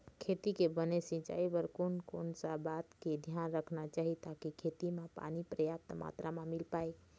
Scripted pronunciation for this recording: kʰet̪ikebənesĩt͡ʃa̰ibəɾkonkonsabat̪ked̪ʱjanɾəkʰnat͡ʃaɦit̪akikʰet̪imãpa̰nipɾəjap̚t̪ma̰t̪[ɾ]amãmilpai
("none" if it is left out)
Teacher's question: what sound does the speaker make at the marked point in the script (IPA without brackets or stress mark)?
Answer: ɾ